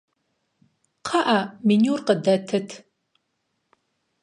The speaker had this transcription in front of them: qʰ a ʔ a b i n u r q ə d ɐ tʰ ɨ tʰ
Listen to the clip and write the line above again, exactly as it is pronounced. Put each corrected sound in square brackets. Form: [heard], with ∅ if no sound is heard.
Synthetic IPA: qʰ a ʔ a [m] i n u r q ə d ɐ tʰ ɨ tʰ